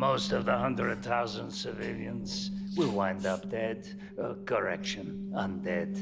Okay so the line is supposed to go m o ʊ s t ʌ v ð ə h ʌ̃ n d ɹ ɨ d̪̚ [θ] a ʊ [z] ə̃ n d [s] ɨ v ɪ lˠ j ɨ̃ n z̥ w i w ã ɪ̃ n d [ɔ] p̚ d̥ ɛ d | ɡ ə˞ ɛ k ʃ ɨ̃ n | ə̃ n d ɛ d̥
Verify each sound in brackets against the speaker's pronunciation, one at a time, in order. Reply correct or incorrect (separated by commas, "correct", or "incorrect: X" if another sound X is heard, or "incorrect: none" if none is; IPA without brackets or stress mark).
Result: correct, correct, correct, incorrect: ʌ